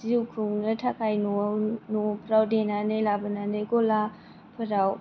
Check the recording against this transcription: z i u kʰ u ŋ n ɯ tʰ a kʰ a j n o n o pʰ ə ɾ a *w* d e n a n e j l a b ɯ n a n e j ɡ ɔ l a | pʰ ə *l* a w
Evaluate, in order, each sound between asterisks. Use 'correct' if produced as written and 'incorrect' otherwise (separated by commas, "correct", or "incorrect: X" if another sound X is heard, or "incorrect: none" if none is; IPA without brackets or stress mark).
correct, incorrect: ɾ